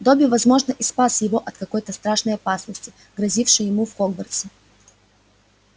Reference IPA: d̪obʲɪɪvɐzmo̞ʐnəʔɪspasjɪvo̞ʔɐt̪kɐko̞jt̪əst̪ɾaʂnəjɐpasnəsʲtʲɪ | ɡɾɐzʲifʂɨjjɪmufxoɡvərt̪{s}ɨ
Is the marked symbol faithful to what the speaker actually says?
yes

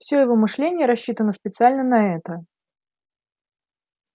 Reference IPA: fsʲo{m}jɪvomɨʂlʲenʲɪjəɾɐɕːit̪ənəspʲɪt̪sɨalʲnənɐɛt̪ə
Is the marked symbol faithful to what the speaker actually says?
no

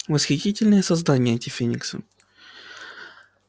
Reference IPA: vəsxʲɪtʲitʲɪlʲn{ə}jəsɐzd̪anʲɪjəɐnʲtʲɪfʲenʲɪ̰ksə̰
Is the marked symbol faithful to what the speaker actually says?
yes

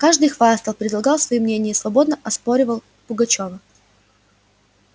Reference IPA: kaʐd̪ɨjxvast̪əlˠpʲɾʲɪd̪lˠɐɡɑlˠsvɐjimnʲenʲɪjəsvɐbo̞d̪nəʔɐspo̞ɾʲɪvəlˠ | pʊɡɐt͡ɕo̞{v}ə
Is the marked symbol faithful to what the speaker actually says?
yes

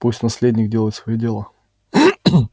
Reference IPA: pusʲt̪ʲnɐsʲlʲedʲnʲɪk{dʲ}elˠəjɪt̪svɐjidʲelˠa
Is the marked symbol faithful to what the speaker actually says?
yes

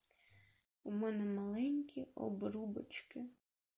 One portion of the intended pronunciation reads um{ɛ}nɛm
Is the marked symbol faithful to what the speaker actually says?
yes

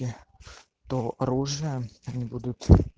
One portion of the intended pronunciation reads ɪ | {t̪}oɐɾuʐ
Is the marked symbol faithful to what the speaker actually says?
yes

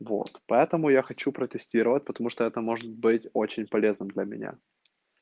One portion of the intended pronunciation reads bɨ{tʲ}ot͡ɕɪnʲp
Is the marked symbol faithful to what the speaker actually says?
yes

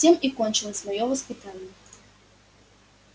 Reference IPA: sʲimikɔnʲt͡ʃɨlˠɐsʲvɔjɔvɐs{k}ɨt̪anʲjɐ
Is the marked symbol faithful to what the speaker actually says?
no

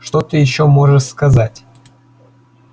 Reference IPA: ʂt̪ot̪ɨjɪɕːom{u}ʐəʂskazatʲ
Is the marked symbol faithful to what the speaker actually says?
no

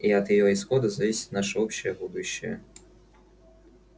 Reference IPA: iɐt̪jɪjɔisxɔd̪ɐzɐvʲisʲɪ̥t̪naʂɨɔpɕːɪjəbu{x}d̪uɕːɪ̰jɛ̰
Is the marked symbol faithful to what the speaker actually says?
no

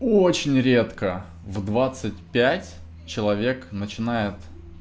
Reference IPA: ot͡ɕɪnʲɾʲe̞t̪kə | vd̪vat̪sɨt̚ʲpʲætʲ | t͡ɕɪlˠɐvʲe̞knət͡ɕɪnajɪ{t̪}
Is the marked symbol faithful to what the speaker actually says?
yes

